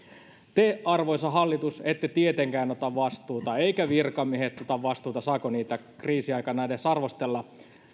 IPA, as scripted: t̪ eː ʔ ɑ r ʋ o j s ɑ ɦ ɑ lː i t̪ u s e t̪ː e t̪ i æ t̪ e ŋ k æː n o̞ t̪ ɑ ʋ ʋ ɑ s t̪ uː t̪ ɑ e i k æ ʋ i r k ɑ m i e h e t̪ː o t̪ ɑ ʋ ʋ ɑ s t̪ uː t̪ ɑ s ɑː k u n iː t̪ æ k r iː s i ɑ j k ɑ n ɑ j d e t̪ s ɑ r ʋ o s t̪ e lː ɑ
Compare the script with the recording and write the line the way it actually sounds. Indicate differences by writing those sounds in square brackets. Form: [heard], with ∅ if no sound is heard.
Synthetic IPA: t̪ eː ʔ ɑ r ʋ o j s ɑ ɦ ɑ lː i t̪ u s e t̪ː e t̪ i [e] t̪ e ŋ k æː n o̞ t̪ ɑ ʋ ʋ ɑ s t̪ uː t̪ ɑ e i k æ ʋ i r k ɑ m i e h e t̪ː o t̪ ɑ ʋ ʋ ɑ s t̪ uː t̪ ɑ s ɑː k [o] n iː t̪ æ k r iː s i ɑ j k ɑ n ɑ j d e [∅] s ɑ r ʋ o s t̪ e lː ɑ